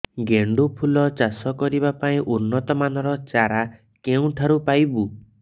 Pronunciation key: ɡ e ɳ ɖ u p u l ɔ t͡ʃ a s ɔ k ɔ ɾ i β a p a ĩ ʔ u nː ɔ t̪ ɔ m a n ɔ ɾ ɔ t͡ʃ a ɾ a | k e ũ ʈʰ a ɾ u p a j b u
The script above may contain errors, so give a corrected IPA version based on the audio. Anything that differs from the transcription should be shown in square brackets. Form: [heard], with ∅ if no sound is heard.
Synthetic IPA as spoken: ɡ e ɳ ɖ u [pʰ] u l ɔ t͡ʃ a s ɔ k ɔ ɾ i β a p a ĩ ʔ u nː ɔ t̪ ɔ m a n ɔ ɾ ɔ t͡ʃ a ɾ a | k e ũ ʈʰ a ɾ u p a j b u